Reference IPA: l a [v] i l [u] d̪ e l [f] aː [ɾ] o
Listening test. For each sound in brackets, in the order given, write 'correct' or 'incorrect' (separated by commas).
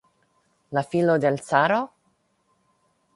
incorrect, incorrect, incorrect, correct